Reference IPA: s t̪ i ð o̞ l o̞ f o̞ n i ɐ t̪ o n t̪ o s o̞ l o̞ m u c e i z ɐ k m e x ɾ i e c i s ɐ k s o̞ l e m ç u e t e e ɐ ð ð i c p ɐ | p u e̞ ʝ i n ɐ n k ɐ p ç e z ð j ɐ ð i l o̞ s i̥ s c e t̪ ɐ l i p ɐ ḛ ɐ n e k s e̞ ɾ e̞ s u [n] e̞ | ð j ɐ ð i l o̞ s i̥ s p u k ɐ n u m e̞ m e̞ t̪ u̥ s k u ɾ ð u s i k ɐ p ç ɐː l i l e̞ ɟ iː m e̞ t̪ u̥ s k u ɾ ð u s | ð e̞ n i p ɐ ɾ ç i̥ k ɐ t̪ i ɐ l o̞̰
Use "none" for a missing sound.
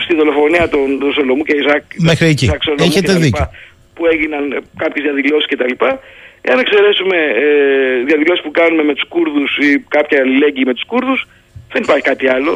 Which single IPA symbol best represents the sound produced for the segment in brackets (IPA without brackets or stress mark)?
m